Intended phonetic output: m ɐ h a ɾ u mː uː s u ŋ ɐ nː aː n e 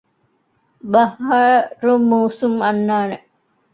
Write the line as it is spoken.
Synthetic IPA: b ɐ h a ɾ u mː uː s u m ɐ nː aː n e